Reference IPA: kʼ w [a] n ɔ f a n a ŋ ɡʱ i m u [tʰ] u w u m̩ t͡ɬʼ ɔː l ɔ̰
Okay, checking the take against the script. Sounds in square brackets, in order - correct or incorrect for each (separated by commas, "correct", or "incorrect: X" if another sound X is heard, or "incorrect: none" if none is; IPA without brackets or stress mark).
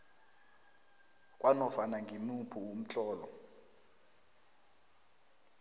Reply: correct, incorrect: pʰ